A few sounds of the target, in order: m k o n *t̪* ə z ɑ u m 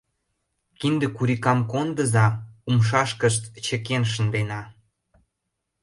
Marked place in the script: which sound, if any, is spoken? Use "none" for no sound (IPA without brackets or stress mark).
d̪